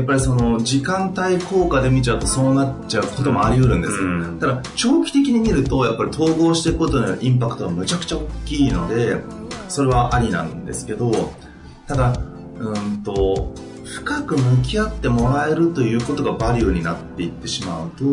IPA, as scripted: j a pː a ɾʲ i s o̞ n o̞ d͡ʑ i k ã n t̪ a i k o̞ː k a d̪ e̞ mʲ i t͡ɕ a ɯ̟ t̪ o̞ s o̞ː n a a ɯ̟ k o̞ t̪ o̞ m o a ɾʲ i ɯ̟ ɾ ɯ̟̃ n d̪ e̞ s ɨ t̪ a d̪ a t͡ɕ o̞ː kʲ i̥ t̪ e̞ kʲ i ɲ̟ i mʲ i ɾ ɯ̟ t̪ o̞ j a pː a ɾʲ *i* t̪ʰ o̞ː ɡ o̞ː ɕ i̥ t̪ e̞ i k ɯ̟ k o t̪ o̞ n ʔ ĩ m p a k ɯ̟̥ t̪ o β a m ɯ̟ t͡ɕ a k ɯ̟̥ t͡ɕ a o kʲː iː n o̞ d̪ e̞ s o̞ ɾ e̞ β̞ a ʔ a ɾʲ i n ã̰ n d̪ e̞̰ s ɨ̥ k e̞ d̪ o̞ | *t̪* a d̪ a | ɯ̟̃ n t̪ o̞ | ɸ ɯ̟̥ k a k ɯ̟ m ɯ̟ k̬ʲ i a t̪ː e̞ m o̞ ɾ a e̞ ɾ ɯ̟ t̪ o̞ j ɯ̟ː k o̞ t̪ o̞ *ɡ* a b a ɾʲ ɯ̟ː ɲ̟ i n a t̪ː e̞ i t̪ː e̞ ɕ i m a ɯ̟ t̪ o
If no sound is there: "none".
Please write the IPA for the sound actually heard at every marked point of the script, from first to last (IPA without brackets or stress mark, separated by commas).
i, t̪, ɡ